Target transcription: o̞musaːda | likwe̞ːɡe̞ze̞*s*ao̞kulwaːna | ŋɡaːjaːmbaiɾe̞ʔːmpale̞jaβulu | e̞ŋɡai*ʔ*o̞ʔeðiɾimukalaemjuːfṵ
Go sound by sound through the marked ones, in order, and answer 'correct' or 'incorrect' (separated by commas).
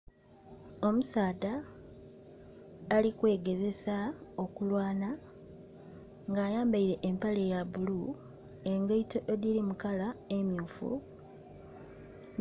correct, incorrect